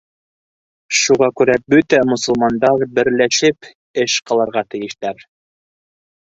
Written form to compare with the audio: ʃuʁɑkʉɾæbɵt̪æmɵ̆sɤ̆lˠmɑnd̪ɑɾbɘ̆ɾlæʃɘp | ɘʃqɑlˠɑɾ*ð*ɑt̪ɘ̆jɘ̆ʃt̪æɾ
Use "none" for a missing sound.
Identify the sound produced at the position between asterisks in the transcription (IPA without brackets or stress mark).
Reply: ʁ